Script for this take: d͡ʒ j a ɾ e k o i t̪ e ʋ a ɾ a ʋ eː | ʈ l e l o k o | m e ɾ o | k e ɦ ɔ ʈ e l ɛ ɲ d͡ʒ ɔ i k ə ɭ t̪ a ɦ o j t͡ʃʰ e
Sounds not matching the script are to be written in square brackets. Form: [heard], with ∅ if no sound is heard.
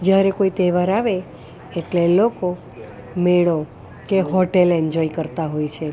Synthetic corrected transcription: d͡ʒ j a ɾ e k o i t̪ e ʋ a ɾ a ʋ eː | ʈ l e l o k o | m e [ɭ] o | k e ɦ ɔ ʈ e l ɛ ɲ d͡ʒ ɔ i k ə [ɾ] t̪ a ɦ o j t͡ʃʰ e